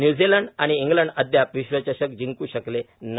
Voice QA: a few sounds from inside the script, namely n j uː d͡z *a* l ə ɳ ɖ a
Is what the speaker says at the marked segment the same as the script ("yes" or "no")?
no